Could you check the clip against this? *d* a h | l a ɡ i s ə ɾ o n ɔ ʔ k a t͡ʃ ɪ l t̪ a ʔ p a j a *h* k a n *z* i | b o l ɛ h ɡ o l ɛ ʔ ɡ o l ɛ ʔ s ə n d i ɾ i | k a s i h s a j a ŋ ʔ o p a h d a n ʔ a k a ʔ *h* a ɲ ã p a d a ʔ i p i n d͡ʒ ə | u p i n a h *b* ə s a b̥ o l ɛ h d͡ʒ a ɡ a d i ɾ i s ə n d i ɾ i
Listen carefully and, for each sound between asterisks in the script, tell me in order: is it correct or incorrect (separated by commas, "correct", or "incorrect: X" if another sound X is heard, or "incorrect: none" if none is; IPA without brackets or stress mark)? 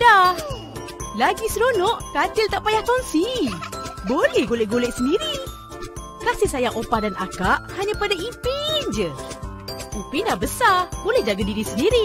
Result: correct, correct, incorrect: s, correct, correct